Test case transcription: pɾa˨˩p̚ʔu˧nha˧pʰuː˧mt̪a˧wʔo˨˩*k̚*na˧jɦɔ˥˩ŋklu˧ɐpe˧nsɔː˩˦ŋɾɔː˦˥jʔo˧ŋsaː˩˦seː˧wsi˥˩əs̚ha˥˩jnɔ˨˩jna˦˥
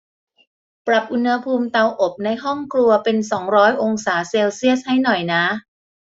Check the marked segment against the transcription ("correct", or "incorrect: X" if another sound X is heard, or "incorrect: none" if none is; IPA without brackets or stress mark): incorrect: p̚